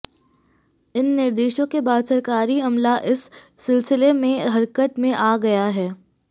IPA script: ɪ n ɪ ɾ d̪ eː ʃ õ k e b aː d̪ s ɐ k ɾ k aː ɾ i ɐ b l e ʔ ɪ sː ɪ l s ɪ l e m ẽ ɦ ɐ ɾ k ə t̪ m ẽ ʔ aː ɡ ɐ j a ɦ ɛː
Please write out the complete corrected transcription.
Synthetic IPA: ɪ nː ɪ ɾ d̪ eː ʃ õ k e b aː d̪ s ɐ ɾ k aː ɾ i ɐ m l a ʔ ɪ sː ɪ l s ɪ l e m ẽ ɦ ɐ ɾ k ə t̪ m ẽ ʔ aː ɡ ɐ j a ɦ ɛː

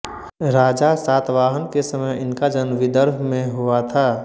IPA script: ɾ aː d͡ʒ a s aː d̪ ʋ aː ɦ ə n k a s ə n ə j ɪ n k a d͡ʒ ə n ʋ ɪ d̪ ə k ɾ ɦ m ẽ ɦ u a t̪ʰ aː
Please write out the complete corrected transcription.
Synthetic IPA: ɾ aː d͡ʒ a s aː t̪ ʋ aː ɦ ə n k e s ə m ə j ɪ n k a d͡ʒ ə n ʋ ɪ d̪ ə ɾ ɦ m ẽ ɦ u a t̪ʰ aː

